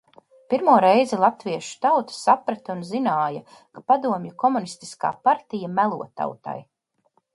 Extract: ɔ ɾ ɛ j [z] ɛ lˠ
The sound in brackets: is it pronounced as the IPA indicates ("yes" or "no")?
yes